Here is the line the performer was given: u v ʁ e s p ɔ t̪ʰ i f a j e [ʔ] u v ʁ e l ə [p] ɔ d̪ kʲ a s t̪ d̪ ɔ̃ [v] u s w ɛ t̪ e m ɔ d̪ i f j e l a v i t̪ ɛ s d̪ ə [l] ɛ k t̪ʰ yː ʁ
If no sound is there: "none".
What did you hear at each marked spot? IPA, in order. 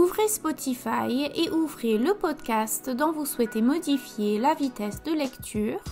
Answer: ʔ, p, v, l

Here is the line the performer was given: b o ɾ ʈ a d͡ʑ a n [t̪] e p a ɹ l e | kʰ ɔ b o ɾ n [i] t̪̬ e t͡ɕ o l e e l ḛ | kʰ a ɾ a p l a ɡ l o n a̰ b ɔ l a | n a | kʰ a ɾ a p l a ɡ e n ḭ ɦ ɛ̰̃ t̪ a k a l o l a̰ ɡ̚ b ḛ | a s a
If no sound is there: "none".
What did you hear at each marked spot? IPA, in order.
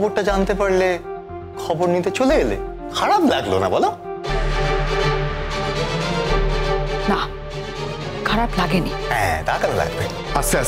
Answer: t̪, i

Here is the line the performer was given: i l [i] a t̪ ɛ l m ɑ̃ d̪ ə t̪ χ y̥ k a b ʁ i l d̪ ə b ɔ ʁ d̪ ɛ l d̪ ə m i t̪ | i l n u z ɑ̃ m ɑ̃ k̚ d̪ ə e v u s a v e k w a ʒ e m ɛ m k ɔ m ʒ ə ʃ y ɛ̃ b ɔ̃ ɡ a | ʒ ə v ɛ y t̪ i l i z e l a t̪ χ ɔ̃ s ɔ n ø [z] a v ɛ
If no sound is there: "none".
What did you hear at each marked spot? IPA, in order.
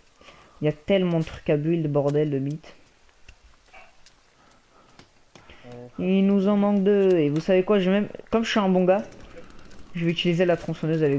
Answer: j, z

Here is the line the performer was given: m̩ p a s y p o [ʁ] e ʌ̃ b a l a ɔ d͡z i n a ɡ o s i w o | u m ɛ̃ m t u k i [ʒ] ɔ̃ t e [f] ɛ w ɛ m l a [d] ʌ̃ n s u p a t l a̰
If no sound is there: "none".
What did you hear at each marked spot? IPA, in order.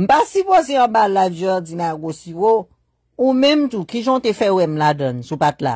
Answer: z, ʒ, f, d

